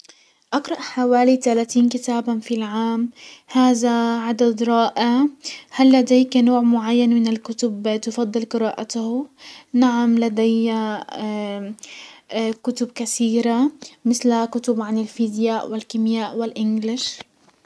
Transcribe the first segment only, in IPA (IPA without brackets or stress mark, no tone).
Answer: ʔ